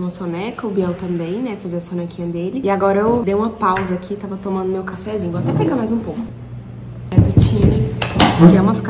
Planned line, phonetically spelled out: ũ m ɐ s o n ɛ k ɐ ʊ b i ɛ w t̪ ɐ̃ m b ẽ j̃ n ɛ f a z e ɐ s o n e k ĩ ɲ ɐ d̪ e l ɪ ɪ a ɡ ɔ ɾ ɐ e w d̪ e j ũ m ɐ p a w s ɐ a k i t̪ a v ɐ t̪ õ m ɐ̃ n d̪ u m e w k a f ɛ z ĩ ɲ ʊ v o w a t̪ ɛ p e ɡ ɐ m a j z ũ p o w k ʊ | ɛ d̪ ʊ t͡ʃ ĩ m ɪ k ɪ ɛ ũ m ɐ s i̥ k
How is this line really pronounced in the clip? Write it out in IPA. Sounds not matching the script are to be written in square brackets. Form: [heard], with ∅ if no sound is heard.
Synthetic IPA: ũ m ɐ s o n ɛ k ɐ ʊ b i ɛ w t̪ ɐ̃ m b ẽ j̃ n ɛ f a z e ɐ s o n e k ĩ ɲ ɐ d̪ e l ɪ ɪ a ɡ ɔ ɾ ɐ e w d̪ e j ũ m ɐ p a w [z] ɐ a k i t̪ a v ɐ t̪ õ m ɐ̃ n d̪ [ʊ] m e w k a f ɛ z ĩ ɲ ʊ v o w a t̪ ɛ p e ɡ [a] m a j z ũ p o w k ʊ | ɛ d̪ ʊ t͡ʃ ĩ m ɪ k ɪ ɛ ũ m ɐ [f] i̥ k